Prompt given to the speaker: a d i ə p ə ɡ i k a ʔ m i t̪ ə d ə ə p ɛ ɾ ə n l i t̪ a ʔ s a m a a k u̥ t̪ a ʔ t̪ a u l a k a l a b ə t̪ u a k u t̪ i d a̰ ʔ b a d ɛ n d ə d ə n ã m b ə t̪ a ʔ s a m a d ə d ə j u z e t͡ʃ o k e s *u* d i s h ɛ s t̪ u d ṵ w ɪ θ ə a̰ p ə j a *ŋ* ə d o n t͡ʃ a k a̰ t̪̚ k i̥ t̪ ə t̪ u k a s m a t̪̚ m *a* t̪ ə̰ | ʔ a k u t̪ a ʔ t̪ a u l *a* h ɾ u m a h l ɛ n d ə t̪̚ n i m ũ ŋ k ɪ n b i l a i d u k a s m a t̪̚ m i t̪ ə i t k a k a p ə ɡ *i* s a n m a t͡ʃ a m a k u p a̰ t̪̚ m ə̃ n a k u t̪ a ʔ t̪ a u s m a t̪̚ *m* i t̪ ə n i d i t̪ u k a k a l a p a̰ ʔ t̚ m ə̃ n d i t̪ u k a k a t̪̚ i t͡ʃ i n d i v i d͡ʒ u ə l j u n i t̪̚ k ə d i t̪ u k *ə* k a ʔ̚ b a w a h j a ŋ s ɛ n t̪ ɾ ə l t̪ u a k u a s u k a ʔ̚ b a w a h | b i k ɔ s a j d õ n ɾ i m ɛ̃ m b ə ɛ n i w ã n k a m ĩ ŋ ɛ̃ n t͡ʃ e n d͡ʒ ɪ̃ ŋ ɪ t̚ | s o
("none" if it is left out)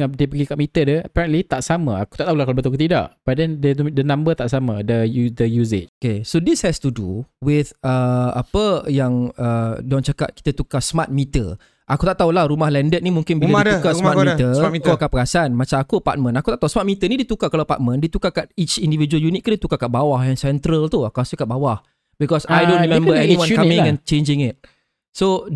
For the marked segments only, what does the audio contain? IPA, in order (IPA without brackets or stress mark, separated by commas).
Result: o, ŋ, i, a, a, m, a